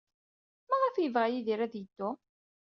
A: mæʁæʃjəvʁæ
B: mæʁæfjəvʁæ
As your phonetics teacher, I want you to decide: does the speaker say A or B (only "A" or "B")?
B